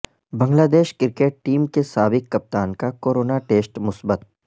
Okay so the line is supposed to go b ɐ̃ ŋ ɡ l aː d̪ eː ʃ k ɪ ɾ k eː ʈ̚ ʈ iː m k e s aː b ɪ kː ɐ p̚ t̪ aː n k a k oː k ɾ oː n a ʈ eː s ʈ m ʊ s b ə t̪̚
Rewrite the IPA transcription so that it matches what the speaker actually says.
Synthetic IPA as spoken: b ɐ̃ ŋ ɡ l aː d̪ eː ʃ k ɪ ɾ k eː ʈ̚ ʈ iː m k e s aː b ɪ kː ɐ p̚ t̪ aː n k a k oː ɾ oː n a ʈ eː s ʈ m ʊ s b ə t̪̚